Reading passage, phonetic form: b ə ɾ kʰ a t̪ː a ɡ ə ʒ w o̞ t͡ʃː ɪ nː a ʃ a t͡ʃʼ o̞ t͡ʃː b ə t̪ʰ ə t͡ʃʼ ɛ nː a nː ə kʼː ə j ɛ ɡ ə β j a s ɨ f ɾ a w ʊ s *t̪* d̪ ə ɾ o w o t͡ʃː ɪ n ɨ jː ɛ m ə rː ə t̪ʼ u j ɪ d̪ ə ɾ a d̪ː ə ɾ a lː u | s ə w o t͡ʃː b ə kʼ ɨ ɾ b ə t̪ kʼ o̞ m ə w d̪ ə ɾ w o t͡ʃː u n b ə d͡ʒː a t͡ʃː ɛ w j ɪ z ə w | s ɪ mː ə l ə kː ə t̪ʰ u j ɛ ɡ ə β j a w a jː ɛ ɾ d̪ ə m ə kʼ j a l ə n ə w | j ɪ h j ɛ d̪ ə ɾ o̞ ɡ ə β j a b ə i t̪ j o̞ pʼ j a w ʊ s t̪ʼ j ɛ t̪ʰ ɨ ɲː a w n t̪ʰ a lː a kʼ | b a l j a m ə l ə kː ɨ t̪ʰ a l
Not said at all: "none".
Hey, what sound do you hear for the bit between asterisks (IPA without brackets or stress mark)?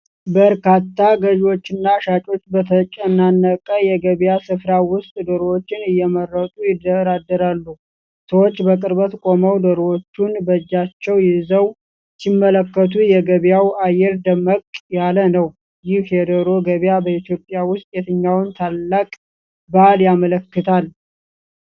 t̪ʼ